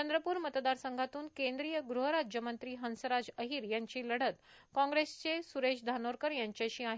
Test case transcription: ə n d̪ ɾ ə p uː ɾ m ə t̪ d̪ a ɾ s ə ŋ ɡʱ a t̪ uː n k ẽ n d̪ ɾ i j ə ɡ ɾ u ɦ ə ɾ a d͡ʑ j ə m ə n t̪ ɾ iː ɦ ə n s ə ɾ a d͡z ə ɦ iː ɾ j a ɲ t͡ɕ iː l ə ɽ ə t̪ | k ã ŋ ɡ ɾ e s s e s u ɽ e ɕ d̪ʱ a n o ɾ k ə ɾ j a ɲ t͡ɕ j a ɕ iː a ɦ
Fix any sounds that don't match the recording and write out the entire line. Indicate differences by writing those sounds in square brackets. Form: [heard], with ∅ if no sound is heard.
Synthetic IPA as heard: ə n d̪ ɾ ə p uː ɾ m ə t̪ d̪ a ɾ s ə ŋ ɡʱ a t̪ uː n k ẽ n d̪ ɾ i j ə ɡ ɾ u ɦ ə ɾ a d͡ʑ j ə m ə n t̪ ɾ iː ɦ ə n s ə ɾ a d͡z ə ɦ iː ɾ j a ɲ t͡ɕ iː l ə ɽ ə t̪ | k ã ŋ ɡ ɾ e s [t͡s] e s u [ɾ] e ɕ d̪ʱ a n o ɾ k ə ɾ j a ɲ t͡ɕ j a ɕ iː a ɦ